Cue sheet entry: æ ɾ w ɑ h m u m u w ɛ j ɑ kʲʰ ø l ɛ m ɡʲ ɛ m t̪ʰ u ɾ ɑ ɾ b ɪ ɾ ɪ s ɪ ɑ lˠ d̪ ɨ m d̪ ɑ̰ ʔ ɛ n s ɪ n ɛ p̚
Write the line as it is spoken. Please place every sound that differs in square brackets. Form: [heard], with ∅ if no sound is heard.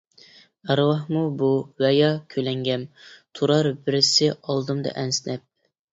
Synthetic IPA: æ ɾ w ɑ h m u [b] u w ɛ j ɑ kʲʰ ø l ɛ [ŋ] ɡʲ ɛ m t̪ʰ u ɾ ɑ ɾ b ɪ ɾ ɪ s ɪ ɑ lˠ d̪ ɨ m d̪ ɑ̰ ʔ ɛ n s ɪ n ɛ p̚